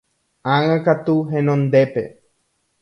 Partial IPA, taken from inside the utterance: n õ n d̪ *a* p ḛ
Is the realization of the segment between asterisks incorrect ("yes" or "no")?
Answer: yes